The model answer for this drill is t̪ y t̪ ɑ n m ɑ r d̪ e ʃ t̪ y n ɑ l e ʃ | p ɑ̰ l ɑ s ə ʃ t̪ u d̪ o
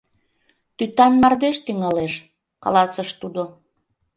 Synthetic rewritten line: t̪ y t̪ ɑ n m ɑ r d̪ e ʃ t̪ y ŋ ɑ l e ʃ | k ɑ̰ l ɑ s ə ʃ t̪ u d̪ o